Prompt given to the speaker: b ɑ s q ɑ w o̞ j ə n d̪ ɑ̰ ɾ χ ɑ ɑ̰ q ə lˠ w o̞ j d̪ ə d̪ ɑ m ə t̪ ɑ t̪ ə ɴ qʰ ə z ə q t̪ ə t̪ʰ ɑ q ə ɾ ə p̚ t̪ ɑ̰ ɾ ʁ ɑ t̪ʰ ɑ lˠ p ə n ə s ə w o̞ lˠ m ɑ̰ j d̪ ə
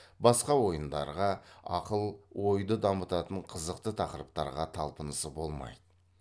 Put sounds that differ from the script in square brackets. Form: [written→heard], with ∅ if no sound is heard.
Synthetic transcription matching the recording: b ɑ s q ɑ w o̞ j ə n d̪ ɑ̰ ɾ [χ→ʁ] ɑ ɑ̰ q ə lˠ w o̞ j d̪ ə d̪ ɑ m ə t̪ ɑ t̪ ə ɴ qʰ ə z ə q t̪ ə t̪ʰ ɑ q ə ɾ ə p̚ t̪ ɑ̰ ɾ ʁ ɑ t̪ʰ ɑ lˠ p ə n ə s ə [w→b] o̞ lˠ m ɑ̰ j d̪ ə